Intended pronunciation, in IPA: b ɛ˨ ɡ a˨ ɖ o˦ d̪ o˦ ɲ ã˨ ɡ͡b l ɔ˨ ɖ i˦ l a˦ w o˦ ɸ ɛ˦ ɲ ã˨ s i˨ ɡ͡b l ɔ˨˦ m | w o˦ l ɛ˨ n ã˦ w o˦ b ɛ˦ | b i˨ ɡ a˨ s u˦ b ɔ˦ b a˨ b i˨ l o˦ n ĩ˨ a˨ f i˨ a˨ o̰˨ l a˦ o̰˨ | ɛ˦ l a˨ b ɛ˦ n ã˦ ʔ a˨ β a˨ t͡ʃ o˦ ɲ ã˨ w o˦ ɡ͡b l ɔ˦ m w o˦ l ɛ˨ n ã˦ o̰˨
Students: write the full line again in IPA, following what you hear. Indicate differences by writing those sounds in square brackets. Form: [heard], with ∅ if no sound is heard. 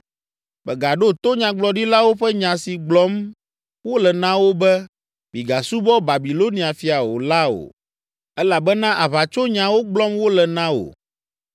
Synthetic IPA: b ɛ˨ ɡ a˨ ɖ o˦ [t̪] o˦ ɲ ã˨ ɡ͡b l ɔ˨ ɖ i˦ l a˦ w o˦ ɸ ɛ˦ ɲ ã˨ s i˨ ɡ͡b l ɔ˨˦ m | w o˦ l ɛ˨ n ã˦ w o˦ b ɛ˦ | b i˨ ɡ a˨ s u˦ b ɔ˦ b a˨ b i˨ l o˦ n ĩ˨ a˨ f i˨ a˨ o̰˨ l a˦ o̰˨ | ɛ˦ l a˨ b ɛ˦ n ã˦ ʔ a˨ β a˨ t͡ʃ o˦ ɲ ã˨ w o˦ ɡ͡b l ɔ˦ m w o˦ l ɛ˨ n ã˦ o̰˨

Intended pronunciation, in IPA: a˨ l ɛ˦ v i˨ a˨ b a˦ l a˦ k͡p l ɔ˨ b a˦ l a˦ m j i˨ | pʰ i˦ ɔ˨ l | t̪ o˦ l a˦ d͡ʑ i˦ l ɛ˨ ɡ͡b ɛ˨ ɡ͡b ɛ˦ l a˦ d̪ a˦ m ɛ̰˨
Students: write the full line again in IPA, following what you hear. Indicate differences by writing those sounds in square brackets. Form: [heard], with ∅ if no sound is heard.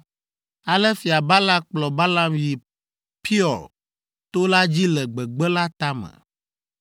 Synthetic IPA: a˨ l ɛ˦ [f] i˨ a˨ b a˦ l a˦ k͡p l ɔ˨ b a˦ l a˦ m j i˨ | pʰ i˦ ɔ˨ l | t̪ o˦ l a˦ d͡ʑ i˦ l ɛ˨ ɡ͡b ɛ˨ ɡ͡b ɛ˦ l a˦ [t̪] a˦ m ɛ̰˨

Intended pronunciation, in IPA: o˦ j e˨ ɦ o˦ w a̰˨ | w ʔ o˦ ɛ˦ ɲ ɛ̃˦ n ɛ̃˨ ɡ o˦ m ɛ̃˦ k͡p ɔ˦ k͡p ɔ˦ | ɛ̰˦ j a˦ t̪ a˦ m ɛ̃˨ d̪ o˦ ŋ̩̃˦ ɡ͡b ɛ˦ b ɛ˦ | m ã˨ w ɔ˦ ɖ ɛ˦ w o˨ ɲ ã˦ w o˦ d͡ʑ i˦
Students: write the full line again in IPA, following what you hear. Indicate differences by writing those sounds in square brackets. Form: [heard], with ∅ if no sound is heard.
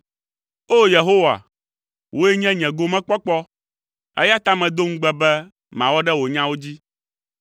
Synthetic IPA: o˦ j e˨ ɦ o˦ w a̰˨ | w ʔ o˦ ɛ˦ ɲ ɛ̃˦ [ɲ] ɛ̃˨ ɡ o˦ m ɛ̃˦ k͡p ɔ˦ k͡p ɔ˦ | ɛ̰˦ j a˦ t̪ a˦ m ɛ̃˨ d̪ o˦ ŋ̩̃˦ ɡ͡b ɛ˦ b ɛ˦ | m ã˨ w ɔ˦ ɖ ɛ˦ w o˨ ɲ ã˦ w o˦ d͡ʑ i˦

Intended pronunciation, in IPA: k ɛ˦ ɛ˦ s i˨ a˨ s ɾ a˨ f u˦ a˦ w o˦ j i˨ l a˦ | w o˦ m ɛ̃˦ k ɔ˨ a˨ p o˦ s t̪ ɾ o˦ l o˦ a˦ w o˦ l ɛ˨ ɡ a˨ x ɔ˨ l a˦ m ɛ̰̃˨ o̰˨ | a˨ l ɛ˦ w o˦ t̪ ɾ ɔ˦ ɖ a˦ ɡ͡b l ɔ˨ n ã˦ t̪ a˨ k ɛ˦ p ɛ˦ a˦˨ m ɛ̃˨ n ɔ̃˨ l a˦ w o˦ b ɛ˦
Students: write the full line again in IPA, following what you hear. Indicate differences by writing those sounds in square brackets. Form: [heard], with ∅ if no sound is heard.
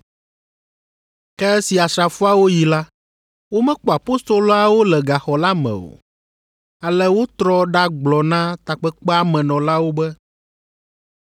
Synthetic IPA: k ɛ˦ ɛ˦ s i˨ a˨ s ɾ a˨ f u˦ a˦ w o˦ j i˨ l a˦ | w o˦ m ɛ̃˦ [k͡p] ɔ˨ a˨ p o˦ s t̪ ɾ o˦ l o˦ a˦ w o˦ l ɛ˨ ɡ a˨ x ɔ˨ l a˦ m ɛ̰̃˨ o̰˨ | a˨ l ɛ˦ w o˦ t̪ ɾ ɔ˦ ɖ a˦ ɡ͡b l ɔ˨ n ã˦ t̪ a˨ [k͡p] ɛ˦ [k͡p] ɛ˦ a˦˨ m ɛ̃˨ n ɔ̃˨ l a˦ w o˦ b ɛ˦

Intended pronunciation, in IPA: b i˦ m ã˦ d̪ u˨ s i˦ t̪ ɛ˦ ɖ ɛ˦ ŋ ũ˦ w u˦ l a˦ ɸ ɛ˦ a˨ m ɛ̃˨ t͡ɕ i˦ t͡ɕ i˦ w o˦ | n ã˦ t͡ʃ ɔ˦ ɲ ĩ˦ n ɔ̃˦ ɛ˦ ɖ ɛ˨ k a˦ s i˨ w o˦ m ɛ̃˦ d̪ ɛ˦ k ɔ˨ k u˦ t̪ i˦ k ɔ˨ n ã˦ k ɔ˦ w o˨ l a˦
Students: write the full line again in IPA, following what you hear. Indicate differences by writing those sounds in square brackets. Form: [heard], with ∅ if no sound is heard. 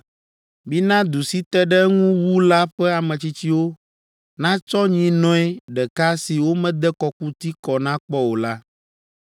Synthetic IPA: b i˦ [n] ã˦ d̪ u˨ s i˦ t̪ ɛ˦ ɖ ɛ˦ ŋ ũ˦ w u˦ l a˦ ɸ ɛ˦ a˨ m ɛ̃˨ t͡ɕ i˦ t͡ɕ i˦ w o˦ | n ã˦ t͡ʃ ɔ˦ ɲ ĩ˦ n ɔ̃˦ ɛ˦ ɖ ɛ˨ k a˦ s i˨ w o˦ m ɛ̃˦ d̪ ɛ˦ k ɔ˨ k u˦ t̪ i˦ k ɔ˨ n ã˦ [k͡p] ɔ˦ w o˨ l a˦

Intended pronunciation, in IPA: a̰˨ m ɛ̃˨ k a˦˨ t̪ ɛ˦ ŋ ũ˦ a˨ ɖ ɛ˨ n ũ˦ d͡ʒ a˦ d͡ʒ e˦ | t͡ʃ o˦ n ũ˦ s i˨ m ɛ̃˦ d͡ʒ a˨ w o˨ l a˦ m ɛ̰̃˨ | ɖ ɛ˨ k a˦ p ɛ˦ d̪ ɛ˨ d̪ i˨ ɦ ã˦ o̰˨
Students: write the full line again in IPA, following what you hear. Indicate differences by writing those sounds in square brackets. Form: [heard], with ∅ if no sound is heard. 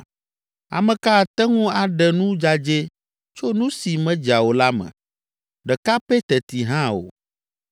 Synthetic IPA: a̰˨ m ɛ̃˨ k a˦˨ t̪ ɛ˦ ŋ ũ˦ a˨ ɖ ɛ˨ n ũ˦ d͡ʒ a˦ d͡ʒ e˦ | t͡ʃ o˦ n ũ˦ s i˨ m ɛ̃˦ d͡ʒ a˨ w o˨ l a˦ m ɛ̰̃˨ | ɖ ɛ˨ k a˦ p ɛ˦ [t̪] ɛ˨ [t̪] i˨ ɦ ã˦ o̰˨

